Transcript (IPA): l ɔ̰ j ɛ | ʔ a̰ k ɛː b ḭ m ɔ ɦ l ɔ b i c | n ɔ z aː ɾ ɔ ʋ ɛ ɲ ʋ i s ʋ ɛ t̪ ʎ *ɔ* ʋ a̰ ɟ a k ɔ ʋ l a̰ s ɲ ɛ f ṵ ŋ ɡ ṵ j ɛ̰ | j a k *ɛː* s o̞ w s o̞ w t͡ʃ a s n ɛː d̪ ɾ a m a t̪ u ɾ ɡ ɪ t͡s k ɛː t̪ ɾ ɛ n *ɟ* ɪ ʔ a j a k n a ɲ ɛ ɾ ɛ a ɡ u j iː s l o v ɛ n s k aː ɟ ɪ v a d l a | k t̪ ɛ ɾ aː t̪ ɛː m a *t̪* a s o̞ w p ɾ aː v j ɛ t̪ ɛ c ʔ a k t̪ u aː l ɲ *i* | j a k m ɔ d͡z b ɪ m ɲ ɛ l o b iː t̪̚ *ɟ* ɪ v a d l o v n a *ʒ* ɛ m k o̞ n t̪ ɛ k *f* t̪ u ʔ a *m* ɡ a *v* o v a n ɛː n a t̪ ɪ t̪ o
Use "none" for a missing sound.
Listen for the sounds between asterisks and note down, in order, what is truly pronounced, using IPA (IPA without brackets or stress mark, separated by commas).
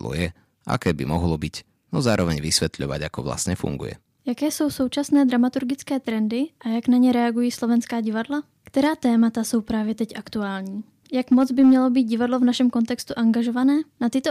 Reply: ɔ, ɛː, d, t̪, iː, ɟ, ʃ, s, ŋ, ʒ